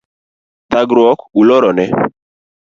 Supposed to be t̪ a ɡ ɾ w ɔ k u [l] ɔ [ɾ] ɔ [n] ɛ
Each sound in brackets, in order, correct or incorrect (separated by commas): correct, correct, correct